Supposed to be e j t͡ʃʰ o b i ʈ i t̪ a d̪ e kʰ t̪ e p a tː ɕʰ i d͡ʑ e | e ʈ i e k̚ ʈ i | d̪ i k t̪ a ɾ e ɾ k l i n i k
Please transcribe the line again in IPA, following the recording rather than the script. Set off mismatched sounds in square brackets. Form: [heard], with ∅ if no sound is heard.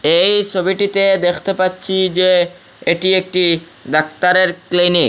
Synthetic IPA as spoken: e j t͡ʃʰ o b i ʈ i t̪ [e] d̪ e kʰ t̪ e p a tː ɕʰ i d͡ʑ e | e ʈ i e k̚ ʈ i | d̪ [a] k t̪ a ɾ e ɾ k l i n i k